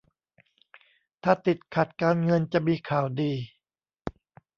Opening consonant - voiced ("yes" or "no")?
no